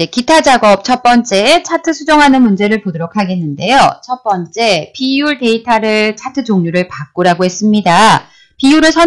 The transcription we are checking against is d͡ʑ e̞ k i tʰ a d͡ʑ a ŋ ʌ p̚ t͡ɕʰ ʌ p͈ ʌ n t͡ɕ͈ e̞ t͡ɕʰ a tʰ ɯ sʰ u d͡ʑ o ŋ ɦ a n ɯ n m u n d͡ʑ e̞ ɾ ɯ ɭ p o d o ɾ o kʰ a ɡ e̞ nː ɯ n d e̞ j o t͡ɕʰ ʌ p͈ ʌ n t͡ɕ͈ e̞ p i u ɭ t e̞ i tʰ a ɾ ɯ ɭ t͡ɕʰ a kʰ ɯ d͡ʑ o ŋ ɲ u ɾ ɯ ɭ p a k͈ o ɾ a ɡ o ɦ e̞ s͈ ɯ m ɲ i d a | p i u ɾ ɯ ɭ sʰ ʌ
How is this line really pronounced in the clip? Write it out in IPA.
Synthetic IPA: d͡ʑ e̞ k i tʰ a d͡ʑ a ɡ ʌ p̚ t͡ɕʰ ʌ p͈ ʌ n t͡ɕ͈ e̞ t͡ɕʰ a tʰ ɯ sʰ u d͡ʑ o ŋ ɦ a n ɯ n m u n d͡ʑ e̞ ɾ ɯ ɭ p o d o ɾ o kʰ a ɡ e̞ nː ɯ n d e̞ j o t͡ɕʰ ʌ p͈ ʌ n t͡ɕ͈ e̞ p i u ɭ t e̞ i tʰ a ɾ ɯ ɭ t͡ɕʰ a tʰ ɯ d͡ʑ o ŋ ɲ u ɾ ɯ ɭ p a k͈ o ɾ a ɡ o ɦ e̞ s͈ ɯ m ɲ i d a | p i u ɾ ɯ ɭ sʰ ʌ

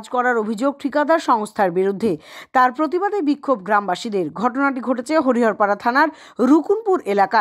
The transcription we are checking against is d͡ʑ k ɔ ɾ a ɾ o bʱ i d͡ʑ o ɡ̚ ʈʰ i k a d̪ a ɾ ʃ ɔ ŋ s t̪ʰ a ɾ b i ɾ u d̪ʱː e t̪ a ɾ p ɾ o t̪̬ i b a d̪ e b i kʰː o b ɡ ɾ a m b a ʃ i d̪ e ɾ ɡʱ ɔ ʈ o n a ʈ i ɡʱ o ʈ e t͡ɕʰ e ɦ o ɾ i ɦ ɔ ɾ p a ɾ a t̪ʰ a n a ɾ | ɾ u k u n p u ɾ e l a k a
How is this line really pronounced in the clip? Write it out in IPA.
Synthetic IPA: d͡ʑ k ɔ ɾ a ɾ o bʱ i d͡ʑ o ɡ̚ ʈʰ i k a d̪ a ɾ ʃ ɔ ŋ s t̪ʰ a ɾ b i ɾ u d̪ʱː e t̪ a ɾ p ɾ o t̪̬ i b a d̪ e b i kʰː o b ɡ ɾ a m b a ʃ i d̪ e ɾ ɡʱ ɔ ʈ o n a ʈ i ɡʱ o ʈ e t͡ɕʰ e ɦ o ɾ i ɦ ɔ ɾ p a ɾ a t̪ʰ a n a ɾ | ɾ u k u n p u ɾ e l a k a

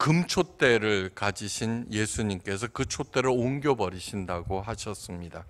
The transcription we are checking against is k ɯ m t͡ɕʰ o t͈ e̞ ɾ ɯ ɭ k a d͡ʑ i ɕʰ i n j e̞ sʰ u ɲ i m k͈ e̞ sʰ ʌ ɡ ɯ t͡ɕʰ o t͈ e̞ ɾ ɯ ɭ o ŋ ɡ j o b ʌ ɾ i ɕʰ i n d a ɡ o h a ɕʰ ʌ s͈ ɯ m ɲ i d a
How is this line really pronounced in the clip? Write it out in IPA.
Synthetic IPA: k ɯ m t͡ɕʰ o t͈ e̞ ɾ ɯ ɭ k a d͡ʑ i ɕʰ i n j e̞ sʰ u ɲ i m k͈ e̞ sʰ ʌ k ɯ t͡ɕʰ o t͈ e̞ ɾ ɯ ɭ o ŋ ɡ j o b ʌ ɾ i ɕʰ i n d a ɡ o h a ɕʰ ʌ s͈ ɯ m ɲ i d a

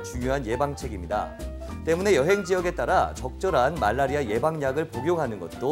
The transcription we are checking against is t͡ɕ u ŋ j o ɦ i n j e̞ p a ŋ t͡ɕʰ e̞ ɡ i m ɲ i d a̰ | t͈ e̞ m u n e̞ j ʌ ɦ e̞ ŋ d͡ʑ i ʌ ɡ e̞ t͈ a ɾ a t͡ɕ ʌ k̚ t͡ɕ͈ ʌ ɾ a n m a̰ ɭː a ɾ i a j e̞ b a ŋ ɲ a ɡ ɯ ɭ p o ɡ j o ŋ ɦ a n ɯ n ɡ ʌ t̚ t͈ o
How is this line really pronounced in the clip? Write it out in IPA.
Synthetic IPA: t͡ɕ u ŋ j o ɦ a n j e̞ b a ŋ t͡ɕʰ e̞ ɡ i m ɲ i d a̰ | t͈ e̞ m u n e̞ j ʌ ɦ e̞ ŋ d͡ʑ i ʌ ɡ e̞ t͈ a ɾ a t͡ɕ ʌ k̚ t͡ɕ͈ ʌ ɾ a n m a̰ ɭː a ɾ i a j e̞ b a ŋ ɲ a ɡ ɯ ɭ p o ɡ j o ŋ ɦ a n ɯ n ɡ ʌ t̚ t͈ o

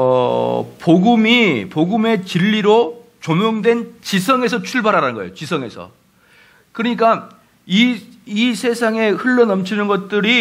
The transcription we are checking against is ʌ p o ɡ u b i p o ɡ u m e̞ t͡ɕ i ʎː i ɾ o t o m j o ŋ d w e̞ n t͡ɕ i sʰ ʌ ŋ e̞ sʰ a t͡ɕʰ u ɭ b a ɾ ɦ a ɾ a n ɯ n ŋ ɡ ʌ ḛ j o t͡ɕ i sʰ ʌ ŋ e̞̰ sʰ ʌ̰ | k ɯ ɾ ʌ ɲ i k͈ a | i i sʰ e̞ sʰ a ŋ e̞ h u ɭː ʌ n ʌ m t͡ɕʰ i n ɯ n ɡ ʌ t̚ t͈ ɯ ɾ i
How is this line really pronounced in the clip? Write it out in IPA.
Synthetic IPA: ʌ p o ɡ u m i p o ɡ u m e̞ t͡ɕ i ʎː i ɾ o t͡ɕ o m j o ŋ d w e̞ n t͡ɕ i sʰ ʌ ŋ e̞ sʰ ʌ t͡ɕʰ u ɭ b a ɾ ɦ a ɾ a n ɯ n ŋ ɡ ʌ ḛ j o t͡ɕ i sʰ ʌ ŋ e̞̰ sʰ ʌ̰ | k ɯ ɾ ʌ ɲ i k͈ a | i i sʰ e̞ sʰ a ŋ e̞ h ɯ ɭː ʌ n ʌ m t͡ɕʰ i n ɯ n ɡ ʌ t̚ t͈ ɯ ɾ i

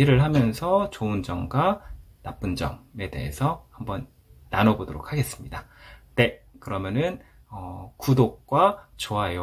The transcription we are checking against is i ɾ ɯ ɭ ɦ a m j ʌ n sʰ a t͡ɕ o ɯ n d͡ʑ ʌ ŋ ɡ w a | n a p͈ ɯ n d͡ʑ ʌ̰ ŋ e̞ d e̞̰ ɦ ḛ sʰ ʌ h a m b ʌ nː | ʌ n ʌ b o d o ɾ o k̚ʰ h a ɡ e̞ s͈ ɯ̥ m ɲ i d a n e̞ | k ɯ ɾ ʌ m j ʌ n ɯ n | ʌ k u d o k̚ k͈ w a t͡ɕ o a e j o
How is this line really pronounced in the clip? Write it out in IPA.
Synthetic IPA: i ɾ ɯ ɭ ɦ a m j ʌ n sʰ ʌ t͡ɕ o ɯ n d͡ʑ ʌ ŋ ɡ w a | n a p͈ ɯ n d͡ʑ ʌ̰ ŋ e̞ d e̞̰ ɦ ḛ sʰ ʌ h a m b ʌ nː | a n ʌ b o d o ɾ o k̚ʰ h a ɡ e̞ s͈ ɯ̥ m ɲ i d a n e̞ | k ɯ ɾ ʌ m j ʌ n ɯ n | ʌ k u d o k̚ k͈ w a t͡ɕ o a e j o

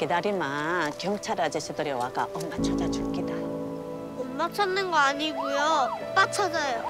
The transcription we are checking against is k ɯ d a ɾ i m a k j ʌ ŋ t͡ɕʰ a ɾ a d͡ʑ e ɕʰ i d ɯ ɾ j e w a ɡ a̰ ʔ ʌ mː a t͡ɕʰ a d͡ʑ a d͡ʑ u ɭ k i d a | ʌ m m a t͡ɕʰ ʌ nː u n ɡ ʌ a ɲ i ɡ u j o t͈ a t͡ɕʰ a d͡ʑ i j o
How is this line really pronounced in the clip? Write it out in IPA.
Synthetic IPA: k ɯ d a ɾ i m a k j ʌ ŋ t͡ɕʰ a ɾ a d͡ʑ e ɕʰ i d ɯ ɾ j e w a ɡ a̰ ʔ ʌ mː a t͡ɕʰ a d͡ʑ a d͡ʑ u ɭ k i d a | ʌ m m a t͡ɕʰ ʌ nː ɯ n ɡ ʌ a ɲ i ɡ u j o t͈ a t͡ɕʰ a d͡ʑ a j o

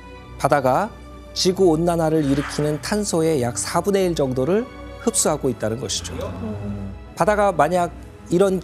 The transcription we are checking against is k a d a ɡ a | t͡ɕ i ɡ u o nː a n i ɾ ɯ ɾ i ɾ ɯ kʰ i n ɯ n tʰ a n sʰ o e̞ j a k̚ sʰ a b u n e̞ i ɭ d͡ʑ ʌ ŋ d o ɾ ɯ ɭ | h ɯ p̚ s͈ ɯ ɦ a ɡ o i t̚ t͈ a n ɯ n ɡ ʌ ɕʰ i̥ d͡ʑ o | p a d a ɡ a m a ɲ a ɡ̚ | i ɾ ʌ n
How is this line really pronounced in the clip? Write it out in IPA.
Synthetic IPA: p a d a ɡ a | t͡ɕ i ɡ u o nː a n a ɾ ɯ ɾ i ɾ ɯ kʰ i n ɯ n tʰ a n sʰ o e̞ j a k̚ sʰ a b u n e̞ i ɭ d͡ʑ ʌ ŋ d o ɾ ɯ ɭ | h ɯ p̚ s͈ u ɦ a ɡ o i t̚ t͈ a n ɯ n ɡ ʌ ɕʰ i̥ d͡ʑ o | p a d a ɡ a m a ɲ a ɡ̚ | i ɾ ʌ n

